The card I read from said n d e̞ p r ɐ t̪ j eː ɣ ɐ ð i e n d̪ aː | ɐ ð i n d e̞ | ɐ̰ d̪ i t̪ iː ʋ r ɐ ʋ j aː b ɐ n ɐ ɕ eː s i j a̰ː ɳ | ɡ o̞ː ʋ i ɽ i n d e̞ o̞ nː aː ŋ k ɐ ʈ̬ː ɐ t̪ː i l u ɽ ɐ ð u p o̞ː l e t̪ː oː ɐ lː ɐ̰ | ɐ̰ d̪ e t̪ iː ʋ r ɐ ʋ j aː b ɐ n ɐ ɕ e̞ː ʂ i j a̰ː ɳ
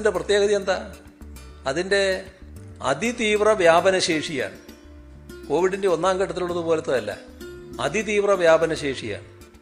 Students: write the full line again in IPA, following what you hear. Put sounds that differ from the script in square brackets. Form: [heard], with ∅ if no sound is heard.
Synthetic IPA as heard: n d e̞ p r ɐ t̪ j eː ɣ ɐ ð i e n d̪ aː | ɐ ð i n d e̞ | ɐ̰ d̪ i t̪ iː ʋ r ɐ ʋ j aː b ɐ n ɐ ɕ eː [ʂ] i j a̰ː ɳ | [k] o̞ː ʋ i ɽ i n d e̞ o̞ nː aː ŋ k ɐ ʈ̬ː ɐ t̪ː i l u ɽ ɐ ð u p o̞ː l e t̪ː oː ɐ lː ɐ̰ | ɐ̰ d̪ [i] t̪ iː ʋ r ɐ ʋ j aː b ɐ n ɐ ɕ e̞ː ʂ i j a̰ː ɳ